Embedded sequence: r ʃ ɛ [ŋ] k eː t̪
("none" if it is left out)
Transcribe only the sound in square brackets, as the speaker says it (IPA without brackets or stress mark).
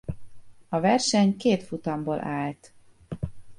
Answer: ɲ